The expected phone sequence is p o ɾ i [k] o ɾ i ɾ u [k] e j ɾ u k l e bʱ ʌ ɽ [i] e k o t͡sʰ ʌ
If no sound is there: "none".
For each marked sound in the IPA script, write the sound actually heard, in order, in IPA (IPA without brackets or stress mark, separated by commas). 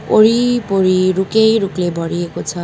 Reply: p, k, i